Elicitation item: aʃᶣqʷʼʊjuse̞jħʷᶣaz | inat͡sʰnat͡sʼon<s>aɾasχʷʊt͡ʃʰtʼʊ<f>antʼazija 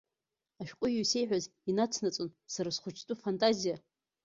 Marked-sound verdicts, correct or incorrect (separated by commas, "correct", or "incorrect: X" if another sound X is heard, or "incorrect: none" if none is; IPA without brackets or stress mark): correct, correct